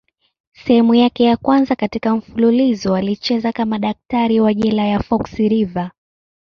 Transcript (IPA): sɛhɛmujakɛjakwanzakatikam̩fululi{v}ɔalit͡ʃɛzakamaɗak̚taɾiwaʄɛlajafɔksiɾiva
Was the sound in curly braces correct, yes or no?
no